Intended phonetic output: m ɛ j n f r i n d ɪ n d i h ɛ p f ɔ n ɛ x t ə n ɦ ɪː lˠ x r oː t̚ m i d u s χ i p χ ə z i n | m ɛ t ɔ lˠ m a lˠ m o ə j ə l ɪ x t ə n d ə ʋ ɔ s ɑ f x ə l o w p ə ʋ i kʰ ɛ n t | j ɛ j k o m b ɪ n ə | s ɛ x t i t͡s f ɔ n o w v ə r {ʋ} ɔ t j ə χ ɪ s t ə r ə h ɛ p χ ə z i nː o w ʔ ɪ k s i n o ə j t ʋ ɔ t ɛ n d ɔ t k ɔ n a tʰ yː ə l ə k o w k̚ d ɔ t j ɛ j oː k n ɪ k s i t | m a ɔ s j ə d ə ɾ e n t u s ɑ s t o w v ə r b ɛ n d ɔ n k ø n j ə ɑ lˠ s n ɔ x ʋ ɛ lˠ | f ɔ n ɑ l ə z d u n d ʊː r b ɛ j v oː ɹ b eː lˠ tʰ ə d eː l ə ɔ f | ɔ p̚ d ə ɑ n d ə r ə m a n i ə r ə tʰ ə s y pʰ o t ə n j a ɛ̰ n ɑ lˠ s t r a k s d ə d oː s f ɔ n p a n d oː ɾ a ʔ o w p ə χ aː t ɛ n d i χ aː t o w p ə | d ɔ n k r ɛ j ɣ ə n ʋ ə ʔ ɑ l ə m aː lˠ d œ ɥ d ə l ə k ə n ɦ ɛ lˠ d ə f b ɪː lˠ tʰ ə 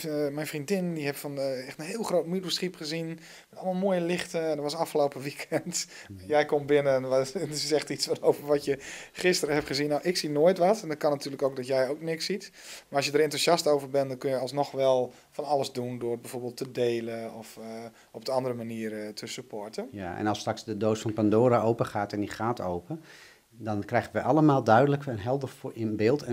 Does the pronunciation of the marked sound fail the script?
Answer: no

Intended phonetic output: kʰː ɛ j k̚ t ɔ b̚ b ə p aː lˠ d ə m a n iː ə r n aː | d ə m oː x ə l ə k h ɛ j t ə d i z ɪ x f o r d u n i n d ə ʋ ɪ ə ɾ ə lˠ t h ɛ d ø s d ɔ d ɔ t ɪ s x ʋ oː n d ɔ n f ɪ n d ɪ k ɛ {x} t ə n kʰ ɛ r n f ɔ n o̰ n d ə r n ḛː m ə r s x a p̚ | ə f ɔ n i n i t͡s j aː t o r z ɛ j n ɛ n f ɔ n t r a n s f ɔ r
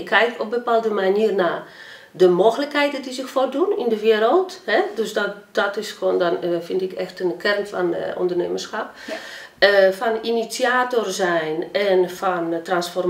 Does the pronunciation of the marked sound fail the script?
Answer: no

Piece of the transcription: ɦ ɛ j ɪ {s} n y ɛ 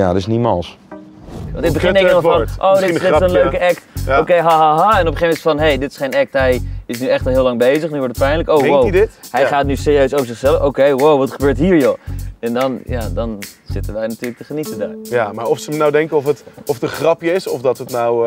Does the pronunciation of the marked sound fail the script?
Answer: no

